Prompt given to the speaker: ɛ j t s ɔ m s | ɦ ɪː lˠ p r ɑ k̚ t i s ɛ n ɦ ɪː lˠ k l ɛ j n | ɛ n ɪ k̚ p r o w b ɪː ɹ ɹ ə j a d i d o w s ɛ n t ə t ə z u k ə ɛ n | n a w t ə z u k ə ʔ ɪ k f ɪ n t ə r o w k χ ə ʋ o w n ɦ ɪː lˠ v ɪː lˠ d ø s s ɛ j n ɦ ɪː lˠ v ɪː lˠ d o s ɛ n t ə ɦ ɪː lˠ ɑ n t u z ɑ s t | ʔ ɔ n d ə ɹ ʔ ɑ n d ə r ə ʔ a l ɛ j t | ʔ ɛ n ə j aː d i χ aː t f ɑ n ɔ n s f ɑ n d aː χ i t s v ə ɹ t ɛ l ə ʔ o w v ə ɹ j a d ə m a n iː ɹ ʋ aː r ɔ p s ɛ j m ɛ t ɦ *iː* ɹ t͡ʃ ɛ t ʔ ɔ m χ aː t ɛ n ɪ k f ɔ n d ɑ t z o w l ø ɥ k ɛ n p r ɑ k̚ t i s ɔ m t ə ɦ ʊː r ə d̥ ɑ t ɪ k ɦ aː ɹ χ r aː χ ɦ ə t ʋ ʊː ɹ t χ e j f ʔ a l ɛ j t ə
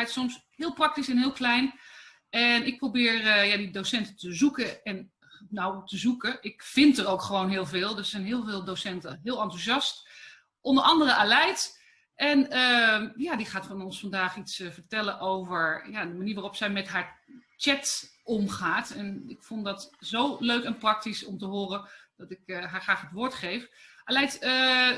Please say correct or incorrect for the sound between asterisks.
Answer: incorrect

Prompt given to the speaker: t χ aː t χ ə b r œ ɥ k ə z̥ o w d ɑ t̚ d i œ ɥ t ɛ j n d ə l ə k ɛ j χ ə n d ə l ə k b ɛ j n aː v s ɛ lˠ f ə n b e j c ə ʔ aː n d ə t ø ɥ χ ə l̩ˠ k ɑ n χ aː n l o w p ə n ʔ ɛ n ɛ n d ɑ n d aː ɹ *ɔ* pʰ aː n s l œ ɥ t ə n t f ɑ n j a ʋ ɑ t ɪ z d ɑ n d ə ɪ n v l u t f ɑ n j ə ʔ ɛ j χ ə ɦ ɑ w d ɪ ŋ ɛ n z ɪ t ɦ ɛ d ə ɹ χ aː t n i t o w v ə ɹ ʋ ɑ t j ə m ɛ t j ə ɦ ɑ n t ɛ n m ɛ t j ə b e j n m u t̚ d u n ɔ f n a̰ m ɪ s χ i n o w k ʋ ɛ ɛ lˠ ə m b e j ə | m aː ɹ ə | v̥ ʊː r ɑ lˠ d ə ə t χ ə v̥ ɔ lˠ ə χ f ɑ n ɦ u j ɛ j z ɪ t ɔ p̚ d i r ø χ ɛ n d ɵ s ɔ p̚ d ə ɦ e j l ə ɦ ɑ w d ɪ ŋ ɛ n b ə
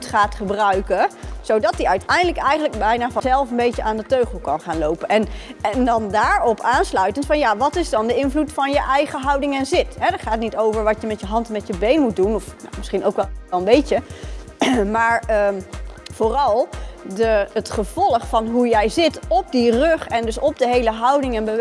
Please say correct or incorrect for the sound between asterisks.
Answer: correct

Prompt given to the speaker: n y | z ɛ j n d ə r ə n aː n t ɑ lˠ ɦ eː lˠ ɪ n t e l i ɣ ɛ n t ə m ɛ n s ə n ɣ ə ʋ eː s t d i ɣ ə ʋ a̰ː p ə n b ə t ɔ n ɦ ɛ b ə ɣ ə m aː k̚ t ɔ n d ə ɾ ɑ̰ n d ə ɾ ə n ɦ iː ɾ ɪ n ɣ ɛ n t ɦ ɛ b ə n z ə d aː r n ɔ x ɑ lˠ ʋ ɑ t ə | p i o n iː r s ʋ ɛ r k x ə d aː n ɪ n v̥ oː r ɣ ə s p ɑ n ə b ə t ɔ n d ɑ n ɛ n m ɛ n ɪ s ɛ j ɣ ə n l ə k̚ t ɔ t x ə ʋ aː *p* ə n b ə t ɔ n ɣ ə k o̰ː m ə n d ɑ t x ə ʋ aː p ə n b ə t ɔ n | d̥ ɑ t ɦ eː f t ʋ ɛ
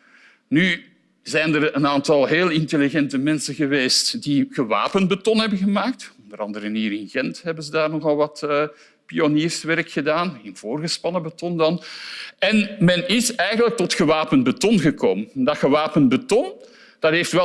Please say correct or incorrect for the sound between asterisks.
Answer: correct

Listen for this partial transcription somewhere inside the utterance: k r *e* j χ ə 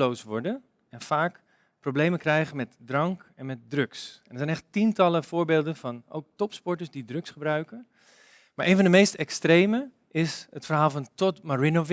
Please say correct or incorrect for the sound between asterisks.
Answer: incorrect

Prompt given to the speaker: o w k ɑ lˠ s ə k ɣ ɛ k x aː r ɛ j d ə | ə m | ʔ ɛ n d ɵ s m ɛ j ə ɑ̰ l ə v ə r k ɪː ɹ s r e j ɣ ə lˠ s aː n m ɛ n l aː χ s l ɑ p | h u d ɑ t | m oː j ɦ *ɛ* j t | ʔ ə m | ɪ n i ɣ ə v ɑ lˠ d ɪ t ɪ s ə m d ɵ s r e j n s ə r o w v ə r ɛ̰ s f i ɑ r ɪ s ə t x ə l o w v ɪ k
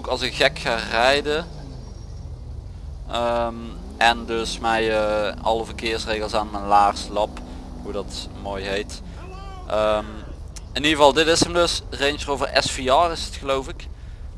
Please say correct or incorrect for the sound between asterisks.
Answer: incorrect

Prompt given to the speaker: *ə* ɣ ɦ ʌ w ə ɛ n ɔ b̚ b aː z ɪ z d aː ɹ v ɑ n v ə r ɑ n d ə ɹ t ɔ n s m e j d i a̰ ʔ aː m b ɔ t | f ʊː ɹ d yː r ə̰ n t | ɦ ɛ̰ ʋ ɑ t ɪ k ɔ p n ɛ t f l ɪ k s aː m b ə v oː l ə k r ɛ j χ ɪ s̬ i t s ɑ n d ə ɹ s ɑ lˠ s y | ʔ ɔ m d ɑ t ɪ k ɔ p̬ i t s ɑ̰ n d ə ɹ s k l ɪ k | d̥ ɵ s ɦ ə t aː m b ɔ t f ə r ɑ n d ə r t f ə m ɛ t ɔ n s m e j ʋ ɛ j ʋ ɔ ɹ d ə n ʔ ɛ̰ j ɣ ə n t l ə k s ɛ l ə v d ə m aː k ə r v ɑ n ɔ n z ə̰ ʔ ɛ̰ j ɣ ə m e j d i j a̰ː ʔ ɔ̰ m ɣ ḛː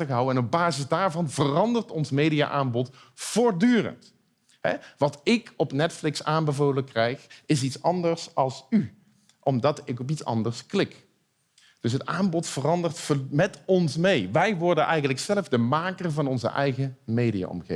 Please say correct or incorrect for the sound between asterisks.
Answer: correct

